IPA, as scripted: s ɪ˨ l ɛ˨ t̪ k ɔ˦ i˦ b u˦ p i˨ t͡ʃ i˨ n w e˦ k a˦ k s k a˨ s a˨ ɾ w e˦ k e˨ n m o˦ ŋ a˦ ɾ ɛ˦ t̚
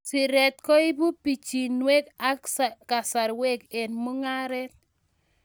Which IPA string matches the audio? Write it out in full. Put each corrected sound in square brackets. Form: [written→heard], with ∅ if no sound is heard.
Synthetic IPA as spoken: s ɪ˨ [l→ɾ] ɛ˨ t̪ k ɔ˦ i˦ b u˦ p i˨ t͡ʃ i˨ n w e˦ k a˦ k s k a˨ s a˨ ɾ w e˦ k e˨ n m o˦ ŋ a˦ ɾ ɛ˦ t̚